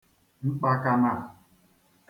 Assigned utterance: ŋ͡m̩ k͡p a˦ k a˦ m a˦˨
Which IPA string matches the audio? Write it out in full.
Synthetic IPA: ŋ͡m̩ k͡p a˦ k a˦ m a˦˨